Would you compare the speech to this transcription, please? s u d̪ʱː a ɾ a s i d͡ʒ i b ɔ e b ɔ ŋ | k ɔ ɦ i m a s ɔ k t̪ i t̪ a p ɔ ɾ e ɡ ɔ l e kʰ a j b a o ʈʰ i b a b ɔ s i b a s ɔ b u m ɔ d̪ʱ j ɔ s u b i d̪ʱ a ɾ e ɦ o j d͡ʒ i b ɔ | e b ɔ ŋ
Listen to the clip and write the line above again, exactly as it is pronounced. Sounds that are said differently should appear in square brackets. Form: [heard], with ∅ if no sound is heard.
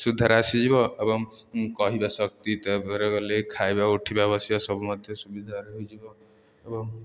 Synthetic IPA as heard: s u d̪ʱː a ɾ a s i d͡ʒ i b ɔ e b ɔ ŋ | k ɔ ɦ i [b] a s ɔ k t̪ i t̪ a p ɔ ɾ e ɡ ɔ l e kʰ a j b a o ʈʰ i b a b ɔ s i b a s ɔ b u m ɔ d̪ʱ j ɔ s u b i d̪ʱ a ɾ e ɦ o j d͡ʒ i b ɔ | e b ɔ ŋ